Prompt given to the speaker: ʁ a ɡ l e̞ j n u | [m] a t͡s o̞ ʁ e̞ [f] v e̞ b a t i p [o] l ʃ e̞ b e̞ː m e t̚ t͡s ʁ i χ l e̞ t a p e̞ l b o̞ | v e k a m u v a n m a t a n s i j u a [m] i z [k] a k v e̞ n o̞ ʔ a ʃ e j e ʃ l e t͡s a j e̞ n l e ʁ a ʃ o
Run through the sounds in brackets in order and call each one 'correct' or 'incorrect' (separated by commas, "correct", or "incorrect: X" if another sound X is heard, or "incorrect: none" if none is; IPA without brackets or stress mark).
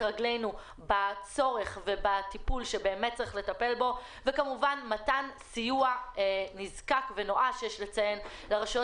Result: incorrect: b, incorrect: χ, incorrect: u, incorrect: n, correct